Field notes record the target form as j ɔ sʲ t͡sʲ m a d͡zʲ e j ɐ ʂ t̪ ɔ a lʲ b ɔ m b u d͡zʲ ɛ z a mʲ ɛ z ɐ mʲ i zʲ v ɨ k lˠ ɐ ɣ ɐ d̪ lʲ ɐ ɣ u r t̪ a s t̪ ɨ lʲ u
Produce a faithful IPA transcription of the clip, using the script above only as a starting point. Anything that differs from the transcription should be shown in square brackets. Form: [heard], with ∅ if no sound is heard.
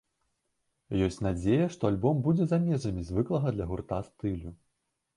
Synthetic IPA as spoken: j ɔ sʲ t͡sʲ [n] a d͡zʲ e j ɐ ʂ t̪ ɔ a lʲ b ɔ m b u d͡zʲ ɛ z a mʲ ɛ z ɐ mʲ i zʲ v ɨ k lˠ ɐ ɣ ɐ d̪ lʲ ɐ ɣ u r t̪ a s t̪ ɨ lʲ u